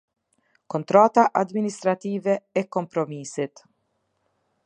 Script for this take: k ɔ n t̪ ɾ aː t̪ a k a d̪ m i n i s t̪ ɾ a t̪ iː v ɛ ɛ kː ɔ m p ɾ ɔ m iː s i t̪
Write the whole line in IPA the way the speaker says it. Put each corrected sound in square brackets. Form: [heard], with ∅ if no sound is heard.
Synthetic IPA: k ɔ n t̪ ɾ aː t̪ a [ʔ] a d̪ m i n i s t̪ ɾ a t̪ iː v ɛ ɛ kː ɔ m p ɾ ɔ m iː s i t̪